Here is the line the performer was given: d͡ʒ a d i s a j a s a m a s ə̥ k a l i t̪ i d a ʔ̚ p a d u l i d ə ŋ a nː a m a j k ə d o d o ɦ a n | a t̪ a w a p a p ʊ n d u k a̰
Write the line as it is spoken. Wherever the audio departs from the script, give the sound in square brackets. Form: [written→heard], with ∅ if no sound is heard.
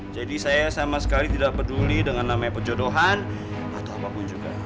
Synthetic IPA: d͡ʒ a d i s a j a s a m a s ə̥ k a l i t̪ i d a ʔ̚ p [a→ə] d u l i d ə ŋ a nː a m a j [k→p] ə [d→d͡ʒ] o d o ɦ a n | a t̪ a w a p a p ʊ n [d→d͡ʒ] u [k→ɡ] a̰